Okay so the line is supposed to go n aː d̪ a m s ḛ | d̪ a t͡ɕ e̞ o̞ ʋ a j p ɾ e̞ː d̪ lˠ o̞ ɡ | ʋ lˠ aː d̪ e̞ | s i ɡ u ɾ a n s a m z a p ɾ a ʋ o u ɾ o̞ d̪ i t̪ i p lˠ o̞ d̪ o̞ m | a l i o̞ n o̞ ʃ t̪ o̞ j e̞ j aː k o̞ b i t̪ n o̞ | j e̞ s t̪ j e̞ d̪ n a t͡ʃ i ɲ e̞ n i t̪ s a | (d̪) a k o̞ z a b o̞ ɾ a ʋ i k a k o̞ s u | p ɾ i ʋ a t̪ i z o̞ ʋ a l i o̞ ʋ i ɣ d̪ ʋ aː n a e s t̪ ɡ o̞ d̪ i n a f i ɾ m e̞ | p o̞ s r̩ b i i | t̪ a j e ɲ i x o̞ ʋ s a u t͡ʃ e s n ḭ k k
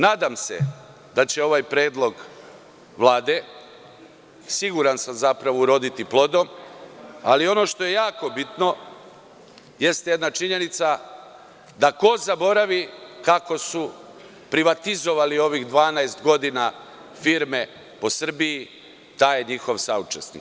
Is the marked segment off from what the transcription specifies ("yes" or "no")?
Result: no